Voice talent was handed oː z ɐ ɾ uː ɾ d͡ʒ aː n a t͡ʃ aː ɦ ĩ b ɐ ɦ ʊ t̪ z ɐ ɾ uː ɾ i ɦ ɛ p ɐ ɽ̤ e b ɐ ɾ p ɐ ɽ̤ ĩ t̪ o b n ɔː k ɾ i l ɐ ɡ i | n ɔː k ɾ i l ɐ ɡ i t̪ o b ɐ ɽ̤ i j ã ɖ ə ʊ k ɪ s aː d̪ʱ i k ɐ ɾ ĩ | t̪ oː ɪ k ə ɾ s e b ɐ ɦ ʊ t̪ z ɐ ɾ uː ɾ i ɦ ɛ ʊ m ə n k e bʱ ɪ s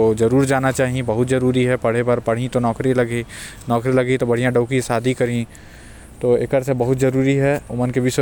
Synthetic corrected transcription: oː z ɐ ɾ uː ɾ d͡ʒ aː n a t͡ʃ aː ɦ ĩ b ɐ ɦ ʊ t̪ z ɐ ɾ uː ɾ i ɦ ɛ p ɐ ɽ̤ e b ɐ ɾ p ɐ ɽ̤ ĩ t̪ o n ɔː k ɾ i l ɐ ɡ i | n ɔː k ɾ i l ɐ ɡ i t̪ o b ɐ ɽ̤ i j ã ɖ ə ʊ k i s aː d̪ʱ i k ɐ ɾ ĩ | t̪ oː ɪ k ə ɾ s e b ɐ ɦ ʊ t̪ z ɐ ɾ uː ɾ i ɦ ɛ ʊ m ə n k e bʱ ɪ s

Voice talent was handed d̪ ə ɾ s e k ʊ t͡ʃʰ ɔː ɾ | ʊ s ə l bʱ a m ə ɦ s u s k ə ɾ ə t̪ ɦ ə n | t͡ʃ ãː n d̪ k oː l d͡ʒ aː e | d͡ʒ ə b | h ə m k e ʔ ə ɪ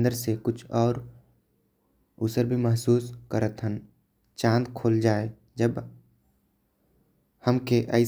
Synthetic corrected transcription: d̪ ə ɾ s e k ʊ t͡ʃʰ ɔː ɾ | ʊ s ə ɾ bʱ i m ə ɦ s uː s k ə ɾ ə t̪ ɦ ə n | t͡ʃ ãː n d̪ kʰ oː l d͡ʒ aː e | d͡ʒ ə b | h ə m k e ʔ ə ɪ

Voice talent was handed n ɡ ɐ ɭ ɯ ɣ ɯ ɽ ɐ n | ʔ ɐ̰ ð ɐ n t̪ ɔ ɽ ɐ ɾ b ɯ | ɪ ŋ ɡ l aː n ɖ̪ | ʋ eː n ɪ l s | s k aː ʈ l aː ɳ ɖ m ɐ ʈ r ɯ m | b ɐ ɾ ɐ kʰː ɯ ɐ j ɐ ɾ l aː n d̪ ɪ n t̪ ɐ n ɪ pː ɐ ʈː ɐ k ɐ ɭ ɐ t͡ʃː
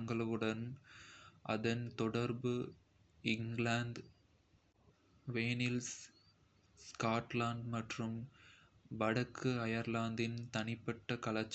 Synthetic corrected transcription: ŋ ɡ ɐ ɭ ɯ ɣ ɯ ɽ ɐ n | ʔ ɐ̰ ð ɐ n t̪ ɔ ɽ ɐ ɾ b ɯ | ɪ ŋ ɡ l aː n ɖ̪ | ʋ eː n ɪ l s | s k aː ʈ l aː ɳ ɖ m ɐ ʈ r ɯ m | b ɐ ɽ ɐ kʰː ɯ ɐ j ɐ ɾ l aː n d̪ ɪ n t̪ ɐ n ɪ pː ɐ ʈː ɐ k ɐ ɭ ɐ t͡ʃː

